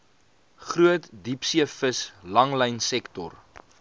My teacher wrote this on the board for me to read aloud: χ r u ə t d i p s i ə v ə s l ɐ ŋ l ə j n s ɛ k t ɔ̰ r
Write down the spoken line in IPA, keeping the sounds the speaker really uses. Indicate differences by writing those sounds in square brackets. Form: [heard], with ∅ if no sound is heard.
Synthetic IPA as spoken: χ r u ə t d i p s i ə [f] ə s l ɐ ŋ l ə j n s ɛ k t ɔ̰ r